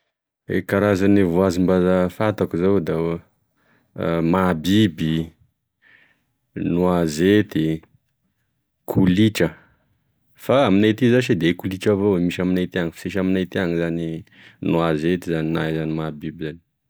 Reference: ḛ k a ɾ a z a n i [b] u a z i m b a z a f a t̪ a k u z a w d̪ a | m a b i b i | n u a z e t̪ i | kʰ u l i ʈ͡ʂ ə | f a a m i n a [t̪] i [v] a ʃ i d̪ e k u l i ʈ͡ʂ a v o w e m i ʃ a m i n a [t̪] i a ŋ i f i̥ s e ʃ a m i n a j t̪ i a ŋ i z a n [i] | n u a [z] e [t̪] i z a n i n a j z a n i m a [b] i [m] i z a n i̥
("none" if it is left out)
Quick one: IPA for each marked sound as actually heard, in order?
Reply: v, t̪, z, t̪, i, z, t̪, b, b

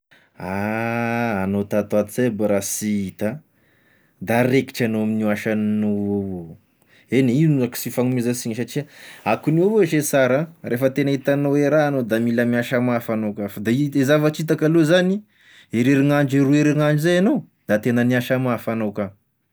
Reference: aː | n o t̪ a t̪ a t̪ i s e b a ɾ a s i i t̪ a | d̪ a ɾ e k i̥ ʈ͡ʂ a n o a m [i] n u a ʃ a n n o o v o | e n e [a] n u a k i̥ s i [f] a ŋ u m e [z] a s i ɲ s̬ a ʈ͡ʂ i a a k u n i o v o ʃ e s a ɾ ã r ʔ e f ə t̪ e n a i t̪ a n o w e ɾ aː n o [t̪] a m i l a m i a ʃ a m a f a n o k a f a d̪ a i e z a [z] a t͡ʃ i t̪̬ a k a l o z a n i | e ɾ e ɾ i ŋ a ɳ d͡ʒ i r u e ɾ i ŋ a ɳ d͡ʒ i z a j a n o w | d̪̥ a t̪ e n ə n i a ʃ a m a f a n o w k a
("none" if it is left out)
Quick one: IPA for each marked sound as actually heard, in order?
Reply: i, i, f, z, d̪, v

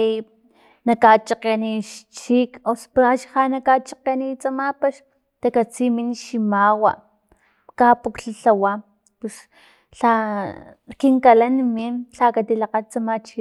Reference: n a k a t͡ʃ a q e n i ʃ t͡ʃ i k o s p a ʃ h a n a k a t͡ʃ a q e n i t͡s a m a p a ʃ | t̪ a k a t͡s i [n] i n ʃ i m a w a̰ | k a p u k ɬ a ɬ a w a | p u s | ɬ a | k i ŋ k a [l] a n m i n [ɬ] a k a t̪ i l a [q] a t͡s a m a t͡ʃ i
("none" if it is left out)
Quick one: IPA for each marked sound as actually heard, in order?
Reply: m, l, ɬ, q

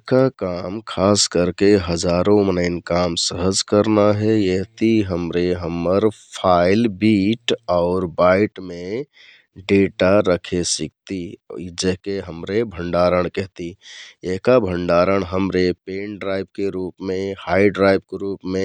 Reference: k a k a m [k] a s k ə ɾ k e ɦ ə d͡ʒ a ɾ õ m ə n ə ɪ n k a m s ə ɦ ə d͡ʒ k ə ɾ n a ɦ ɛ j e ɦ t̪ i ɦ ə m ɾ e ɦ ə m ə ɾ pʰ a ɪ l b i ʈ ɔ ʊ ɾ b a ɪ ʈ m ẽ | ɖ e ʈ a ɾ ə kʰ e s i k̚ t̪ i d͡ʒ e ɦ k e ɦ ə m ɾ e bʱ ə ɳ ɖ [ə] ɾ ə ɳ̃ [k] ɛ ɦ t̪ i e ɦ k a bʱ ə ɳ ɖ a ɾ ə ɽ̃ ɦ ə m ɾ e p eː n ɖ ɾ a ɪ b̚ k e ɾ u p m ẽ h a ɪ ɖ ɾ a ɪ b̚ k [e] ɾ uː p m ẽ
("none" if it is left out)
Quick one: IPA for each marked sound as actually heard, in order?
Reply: kʰ, a, k, e

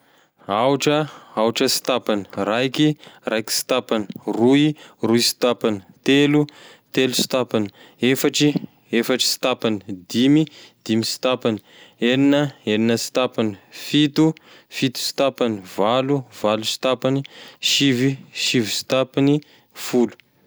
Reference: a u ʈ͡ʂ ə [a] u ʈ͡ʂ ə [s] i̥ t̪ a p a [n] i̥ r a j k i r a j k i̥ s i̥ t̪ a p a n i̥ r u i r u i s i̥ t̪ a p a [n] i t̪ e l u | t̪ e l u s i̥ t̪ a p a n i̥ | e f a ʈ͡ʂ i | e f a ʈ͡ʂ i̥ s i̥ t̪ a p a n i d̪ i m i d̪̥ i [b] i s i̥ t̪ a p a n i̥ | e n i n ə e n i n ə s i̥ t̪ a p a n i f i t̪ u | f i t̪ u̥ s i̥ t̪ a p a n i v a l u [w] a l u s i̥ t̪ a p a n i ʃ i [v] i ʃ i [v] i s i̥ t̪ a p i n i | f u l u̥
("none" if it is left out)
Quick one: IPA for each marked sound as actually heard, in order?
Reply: a, s, n, n, m, v, v, v

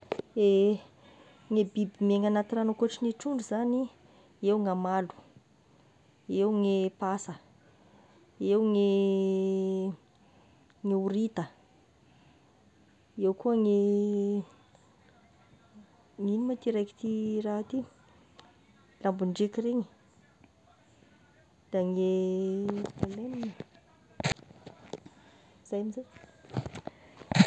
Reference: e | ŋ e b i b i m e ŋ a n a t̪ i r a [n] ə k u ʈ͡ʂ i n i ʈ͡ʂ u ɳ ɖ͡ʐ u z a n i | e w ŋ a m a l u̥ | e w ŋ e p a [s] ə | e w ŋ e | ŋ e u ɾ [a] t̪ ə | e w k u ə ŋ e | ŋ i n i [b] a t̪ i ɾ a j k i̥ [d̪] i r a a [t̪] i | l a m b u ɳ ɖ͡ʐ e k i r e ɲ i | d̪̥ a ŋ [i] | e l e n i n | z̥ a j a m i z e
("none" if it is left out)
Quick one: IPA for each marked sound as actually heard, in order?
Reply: n, s, i, m, t̪, t̪, e

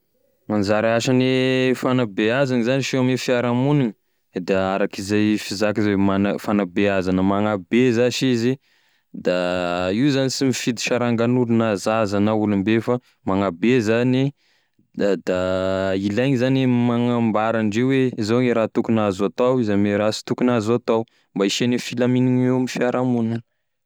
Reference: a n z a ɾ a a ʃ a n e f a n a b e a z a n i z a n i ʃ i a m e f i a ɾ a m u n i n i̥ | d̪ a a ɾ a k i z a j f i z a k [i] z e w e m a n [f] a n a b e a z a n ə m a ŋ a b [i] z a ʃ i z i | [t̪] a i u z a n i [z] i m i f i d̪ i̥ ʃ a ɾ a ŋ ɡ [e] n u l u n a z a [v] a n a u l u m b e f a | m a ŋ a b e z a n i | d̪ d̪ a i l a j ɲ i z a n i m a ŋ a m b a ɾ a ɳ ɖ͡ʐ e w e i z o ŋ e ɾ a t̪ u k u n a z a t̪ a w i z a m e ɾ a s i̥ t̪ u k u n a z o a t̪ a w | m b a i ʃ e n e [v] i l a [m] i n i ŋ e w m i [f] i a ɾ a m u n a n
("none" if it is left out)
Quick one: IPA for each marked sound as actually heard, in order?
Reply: i, f, e, d̪, s, a, z, f, m, f

